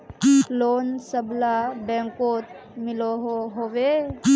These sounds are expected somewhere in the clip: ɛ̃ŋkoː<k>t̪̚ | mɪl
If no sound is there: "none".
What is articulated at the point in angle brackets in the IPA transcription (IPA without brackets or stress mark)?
none